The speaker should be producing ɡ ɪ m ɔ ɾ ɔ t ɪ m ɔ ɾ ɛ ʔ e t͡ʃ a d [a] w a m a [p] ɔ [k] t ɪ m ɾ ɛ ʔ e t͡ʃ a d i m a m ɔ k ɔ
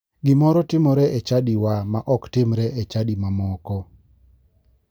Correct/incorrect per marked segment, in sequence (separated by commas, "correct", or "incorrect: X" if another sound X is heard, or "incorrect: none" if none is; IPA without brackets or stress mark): incorrect: i, incorrect: ʔ, correct